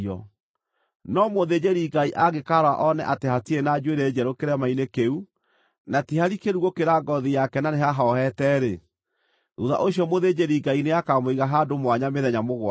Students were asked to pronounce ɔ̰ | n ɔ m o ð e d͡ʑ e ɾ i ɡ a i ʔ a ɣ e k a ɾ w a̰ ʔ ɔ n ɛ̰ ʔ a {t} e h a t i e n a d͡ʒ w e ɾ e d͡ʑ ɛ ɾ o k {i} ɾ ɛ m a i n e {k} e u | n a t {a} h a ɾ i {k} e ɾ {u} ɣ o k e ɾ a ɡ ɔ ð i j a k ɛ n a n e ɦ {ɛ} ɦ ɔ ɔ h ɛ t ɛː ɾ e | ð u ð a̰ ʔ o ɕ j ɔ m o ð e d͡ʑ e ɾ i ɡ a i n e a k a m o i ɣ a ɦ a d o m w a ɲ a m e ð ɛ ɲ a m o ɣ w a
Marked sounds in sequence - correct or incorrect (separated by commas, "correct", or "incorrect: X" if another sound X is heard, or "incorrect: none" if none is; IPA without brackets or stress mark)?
correct, incorrect: e, correct, incorrect: i, correct, correct, incorrect: a